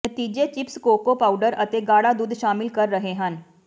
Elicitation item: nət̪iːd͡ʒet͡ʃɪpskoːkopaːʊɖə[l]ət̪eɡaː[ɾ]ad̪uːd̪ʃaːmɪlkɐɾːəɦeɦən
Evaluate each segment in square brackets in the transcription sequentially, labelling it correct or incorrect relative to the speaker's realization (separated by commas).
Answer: incorrect, incorrect